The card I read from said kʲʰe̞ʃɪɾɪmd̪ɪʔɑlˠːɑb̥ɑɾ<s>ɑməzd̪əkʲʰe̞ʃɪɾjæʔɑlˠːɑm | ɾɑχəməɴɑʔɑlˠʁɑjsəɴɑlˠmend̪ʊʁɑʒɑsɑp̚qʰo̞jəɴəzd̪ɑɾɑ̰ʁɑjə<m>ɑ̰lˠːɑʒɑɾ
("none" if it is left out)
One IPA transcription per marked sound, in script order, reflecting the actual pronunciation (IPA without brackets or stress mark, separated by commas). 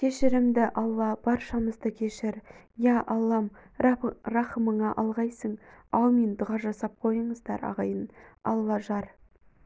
ʃ, n